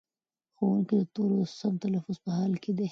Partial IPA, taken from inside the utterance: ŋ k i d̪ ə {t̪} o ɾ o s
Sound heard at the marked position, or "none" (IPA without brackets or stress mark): t̪